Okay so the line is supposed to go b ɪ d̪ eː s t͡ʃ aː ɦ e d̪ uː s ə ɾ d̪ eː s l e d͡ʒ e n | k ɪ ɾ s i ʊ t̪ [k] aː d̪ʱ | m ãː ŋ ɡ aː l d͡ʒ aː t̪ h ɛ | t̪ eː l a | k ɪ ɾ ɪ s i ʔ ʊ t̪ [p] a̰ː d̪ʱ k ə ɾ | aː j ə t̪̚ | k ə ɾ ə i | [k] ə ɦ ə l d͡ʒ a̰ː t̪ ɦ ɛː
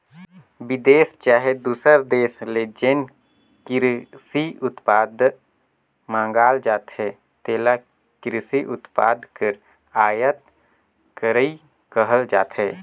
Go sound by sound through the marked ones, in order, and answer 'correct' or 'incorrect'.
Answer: incorrect: p, correct, correct

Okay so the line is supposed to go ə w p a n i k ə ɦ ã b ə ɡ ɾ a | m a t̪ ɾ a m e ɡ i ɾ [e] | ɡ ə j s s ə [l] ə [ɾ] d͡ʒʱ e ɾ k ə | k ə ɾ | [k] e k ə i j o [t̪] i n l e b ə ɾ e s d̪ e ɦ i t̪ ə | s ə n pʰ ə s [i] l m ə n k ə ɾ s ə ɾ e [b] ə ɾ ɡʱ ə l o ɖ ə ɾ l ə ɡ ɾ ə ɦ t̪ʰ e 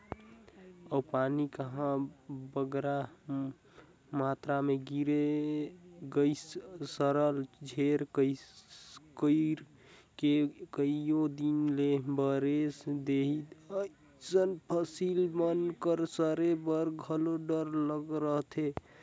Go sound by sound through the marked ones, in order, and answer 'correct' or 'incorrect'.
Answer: correct, incorrect: ɾ, incorrect: l, correct, incorrect: d̪, correct, correct

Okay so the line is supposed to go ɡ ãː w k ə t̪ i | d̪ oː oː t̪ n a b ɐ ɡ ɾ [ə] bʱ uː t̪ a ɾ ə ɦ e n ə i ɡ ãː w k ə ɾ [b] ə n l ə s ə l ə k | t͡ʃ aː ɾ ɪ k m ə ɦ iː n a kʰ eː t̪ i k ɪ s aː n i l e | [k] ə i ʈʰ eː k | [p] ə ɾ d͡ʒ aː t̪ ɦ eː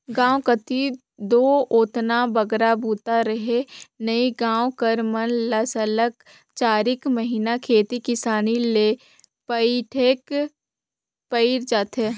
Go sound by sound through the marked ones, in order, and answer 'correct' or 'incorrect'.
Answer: incorrect: a, incorrect: m, incorrect: p, correct

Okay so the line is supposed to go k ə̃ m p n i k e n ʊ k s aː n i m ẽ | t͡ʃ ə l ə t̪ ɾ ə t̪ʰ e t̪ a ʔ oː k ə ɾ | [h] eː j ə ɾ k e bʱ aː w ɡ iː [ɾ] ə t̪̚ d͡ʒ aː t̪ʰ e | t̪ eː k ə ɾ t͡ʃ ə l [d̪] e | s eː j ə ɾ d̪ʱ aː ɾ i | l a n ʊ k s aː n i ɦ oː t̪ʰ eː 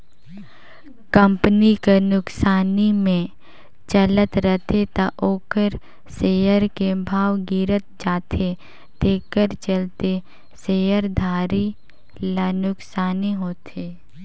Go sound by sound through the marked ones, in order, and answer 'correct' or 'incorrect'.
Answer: incorrect: s, correct, incorrect: t̪

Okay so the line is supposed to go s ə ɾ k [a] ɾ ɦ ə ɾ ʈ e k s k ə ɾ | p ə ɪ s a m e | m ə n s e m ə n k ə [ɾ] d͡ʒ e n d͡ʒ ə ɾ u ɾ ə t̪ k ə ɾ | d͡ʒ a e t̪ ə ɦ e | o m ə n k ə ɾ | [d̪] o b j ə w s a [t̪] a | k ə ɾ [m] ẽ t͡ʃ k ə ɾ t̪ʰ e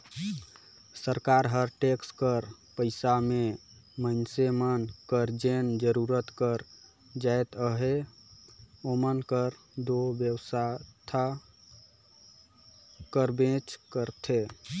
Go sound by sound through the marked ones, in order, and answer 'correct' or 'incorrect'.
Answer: correct, correct, correct, incorrect: t̪ʰ, incorrect: b

